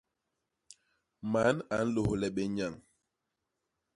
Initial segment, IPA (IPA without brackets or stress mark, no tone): m